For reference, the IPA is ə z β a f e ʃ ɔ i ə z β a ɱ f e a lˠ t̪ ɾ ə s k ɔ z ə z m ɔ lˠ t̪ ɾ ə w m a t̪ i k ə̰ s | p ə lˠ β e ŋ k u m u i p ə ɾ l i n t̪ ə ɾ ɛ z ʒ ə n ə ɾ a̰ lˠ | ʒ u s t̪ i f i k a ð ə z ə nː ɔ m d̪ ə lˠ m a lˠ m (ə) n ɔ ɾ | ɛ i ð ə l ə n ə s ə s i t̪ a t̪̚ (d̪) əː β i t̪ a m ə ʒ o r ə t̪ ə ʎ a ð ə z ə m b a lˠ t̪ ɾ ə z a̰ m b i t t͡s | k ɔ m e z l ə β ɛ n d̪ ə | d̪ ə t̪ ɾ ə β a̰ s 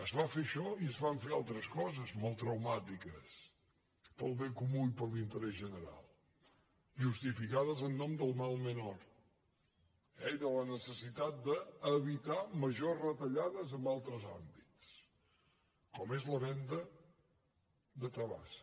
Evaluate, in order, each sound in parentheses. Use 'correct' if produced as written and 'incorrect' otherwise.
correct, correct

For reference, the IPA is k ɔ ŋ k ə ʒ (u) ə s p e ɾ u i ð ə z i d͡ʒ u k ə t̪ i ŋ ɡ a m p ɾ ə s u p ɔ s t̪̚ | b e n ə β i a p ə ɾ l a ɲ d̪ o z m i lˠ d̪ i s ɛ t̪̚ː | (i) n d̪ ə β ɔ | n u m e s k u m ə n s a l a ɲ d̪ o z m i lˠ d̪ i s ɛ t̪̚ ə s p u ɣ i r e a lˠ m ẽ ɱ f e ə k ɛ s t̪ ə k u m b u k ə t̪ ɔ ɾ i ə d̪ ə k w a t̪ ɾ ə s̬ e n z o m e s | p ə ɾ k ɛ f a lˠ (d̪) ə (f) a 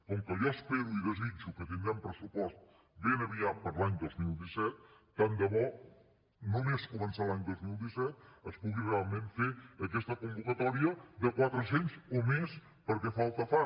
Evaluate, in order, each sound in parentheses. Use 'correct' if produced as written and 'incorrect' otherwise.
incorrect, incorrect, incorrect, correct

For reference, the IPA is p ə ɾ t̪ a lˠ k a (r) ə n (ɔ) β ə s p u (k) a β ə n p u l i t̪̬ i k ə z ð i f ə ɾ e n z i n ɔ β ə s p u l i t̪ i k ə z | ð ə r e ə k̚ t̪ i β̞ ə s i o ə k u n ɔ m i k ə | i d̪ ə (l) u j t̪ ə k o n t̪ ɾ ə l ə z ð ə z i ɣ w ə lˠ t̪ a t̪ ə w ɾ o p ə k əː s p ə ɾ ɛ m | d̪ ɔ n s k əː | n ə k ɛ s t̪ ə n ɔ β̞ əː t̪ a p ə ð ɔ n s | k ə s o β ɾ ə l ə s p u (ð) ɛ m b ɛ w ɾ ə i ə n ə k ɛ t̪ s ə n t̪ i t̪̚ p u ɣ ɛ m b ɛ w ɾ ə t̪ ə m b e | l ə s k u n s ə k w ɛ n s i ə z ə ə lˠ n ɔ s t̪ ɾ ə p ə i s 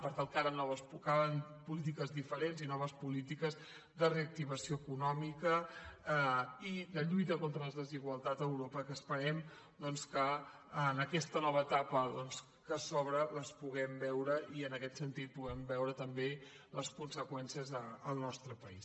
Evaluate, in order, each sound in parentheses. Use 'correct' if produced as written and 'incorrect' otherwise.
incorrect, correct, correct, incorrect, incorrect

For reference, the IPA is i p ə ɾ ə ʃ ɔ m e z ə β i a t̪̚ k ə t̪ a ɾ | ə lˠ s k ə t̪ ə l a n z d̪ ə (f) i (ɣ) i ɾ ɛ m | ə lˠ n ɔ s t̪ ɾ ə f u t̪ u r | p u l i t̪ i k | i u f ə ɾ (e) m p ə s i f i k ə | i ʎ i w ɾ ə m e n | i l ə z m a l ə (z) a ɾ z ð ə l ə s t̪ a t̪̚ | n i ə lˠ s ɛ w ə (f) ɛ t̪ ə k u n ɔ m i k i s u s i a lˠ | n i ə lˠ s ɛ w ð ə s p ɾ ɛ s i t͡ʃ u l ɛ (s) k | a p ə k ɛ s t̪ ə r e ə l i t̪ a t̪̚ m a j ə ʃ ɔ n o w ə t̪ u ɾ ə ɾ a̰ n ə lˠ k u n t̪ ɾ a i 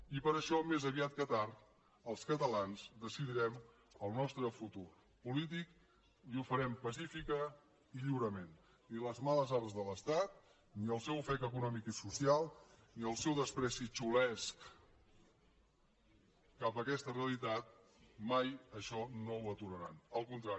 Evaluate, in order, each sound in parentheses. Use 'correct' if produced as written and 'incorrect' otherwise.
incorrect, incorrect, incorrect, correct, correct, correct

